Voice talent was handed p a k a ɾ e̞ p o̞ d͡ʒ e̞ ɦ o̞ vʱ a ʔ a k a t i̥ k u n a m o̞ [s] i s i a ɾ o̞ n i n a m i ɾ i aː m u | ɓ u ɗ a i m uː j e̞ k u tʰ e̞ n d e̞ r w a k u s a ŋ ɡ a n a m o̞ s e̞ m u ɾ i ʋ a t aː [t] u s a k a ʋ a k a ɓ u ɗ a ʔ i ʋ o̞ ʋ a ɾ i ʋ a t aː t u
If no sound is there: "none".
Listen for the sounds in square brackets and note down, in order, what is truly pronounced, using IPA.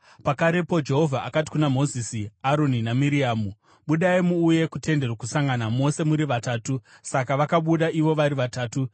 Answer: z, t

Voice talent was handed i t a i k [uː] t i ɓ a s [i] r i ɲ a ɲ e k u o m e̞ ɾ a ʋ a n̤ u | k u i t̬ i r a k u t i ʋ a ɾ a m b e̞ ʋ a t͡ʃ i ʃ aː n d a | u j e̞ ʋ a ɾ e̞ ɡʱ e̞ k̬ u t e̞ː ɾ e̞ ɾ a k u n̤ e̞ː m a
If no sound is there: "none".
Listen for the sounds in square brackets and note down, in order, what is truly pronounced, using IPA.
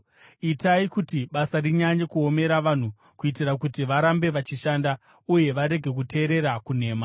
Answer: u, a

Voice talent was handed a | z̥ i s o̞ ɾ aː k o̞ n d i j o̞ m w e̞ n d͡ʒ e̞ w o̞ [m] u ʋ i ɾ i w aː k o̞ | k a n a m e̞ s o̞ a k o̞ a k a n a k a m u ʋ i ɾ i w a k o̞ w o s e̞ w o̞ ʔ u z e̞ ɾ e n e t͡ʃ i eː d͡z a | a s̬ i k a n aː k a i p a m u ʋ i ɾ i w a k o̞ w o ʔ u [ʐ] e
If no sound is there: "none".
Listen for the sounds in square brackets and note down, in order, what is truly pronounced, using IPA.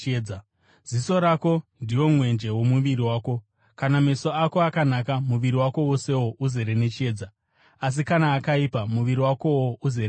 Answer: m, z

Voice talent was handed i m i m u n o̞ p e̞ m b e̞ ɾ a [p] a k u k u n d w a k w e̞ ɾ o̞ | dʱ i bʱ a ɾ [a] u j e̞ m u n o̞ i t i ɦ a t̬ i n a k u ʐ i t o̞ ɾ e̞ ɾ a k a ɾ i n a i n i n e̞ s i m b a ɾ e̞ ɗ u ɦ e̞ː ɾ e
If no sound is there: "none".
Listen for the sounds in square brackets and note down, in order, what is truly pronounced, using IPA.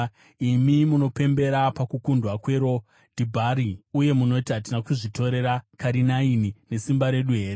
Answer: p, i

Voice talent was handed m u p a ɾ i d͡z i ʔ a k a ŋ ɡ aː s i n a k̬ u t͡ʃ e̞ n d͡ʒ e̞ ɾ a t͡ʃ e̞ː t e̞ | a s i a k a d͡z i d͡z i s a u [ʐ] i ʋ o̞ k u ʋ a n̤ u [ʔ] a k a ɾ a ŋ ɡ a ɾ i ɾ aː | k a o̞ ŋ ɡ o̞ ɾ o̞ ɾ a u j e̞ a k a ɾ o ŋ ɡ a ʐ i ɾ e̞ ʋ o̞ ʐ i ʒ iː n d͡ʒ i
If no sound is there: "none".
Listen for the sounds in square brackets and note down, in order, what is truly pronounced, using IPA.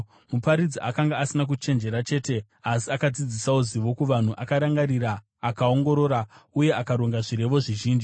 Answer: z, ʔ

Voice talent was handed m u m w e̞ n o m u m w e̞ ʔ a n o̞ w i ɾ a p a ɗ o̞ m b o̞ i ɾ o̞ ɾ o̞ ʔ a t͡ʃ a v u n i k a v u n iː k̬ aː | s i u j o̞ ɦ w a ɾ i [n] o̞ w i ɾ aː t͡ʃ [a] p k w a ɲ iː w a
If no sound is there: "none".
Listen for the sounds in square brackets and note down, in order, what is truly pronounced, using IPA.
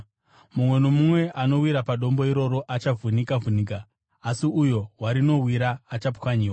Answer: n, a

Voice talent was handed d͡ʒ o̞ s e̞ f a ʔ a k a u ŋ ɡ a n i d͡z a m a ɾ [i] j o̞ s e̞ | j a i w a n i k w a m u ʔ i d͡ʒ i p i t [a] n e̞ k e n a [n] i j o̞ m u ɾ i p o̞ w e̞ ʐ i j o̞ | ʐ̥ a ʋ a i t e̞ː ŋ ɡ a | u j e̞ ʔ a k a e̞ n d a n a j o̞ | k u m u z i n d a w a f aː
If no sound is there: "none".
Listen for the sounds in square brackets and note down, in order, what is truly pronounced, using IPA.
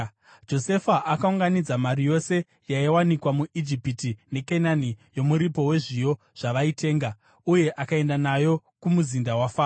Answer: i, i, n

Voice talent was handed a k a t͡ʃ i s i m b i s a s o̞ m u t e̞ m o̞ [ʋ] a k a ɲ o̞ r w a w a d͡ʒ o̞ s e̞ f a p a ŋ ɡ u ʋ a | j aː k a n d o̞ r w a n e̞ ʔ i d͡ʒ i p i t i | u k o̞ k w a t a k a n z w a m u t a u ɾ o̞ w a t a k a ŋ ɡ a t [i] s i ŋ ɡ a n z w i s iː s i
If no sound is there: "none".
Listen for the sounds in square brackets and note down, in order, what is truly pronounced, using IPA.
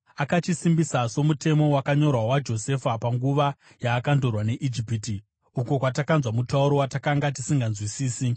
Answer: w, i

